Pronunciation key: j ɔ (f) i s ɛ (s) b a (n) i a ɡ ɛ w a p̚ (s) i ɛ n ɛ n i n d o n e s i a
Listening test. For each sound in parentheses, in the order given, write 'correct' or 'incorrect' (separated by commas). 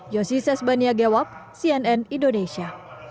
incorrect, correct, correct, correct